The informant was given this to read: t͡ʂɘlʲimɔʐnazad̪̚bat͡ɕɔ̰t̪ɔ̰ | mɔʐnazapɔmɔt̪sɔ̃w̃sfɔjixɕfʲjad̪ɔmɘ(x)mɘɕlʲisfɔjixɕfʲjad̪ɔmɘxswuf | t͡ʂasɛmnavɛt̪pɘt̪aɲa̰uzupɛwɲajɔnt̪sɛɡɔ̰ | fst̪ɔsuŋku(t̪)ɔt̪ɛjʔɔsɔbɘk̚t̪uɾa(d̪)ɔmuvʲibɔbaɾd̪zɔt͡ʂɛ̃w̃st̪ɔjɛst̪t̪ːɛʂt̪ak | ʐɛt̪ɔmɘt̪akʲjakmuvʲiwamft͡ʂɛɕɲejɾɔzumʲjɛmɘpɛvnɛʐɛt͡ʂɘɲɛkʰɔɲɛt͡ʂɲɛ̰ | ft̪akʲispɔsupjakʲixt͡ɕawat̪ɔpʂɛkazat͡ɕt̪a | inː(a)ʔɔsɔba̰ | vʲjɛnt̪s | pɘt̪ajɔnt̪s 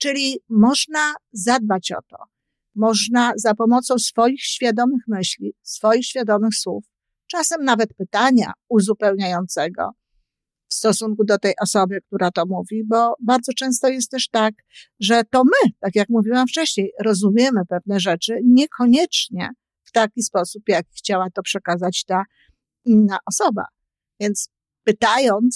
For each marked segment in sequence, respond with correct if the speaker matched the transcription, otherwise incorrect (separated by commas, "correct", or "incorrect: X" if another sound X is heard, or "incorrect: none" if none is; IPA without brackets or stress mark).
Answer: correct, incorrect: d̪, incorrect: t̪, correct